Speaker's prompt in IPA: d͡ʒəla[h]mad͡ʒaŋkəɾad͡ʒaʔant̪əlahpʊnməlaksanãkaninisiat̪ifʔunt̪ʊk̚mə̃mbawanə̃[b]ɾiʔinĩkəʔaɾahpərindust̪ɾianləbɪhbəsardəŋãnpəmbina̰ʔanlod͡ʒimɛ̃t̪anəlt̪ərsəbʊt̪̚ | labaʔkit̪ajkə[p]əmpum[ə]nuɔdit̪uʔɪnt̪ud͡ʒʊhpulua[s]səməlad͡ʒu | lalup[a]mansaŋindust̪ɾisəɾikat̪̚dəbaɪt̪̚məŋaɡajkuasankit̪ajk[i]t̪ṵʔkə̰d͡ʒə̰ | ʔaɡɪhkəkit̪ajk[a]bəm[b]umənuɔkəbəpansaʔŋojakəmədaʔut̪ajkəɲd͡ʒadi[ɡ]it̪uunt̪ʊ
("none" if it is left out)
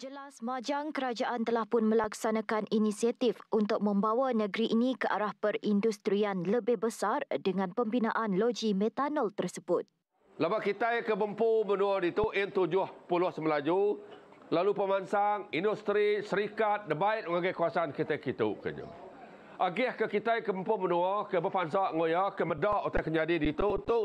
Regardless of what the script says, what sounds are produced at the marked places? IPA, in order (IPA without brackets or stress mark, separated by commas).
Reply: s, ɡ, b, ə, h, ə, i, ə, p, d